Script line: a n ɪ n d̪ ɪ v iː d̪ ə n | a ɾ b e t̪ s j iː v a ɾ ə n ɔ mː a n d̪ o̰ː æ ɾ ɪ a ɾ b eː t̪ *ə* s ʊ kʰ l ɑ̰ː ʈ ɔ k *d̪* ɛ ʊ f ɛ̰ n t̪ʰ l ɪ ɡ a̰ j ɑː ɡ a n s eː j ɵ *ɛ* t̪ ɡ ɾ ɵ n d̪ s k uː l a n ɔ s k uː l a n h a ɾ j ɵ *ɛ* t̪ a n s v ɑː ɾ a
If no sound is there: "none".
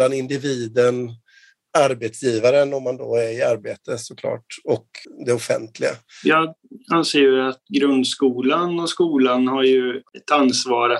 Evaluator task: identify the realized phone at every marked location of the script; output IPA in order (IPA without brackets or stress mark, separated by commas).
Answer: ə, d̪, a, ɛ